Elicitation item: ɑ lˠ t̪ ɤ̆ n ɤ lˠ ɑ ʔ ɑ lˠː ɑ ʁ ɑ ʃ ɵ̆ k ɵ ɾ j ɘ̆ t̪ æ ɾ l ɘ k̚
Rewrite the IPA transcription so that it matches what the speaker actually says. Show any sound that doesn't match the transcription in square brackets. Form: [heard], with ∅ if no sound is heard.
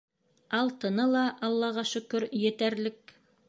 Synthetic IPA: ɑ lˠ t̪ ɤ̆ n ɤ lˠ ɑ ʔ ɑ lˠː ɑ ʁ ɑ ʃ ɵ̆ k ɵ ɾ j ɘ̆ t̪ æ ɾ l ɘ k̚